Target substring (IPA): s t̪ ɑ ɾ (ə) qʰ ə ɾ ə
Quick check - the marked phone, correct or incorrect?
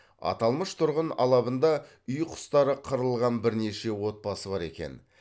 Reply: correct